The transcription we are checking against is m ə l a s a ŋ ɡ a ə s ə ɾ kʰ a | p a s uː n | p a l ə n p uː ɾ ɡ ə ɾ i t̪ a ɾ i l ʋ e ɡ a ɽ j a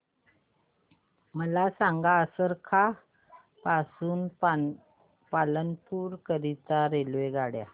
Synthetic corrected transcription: m ə l a s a ŋ ɡ a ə s ə ɾ kʰ a | p a s uː n | p a l ə n p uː ɾ k ə ɾ i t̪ a ɾ e l ʋ e ɡ a ɽ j a